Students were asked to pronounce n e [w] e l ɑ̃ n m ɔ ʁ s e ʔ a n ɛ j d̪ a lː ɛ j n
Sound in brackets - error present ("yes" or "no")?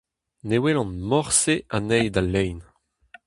no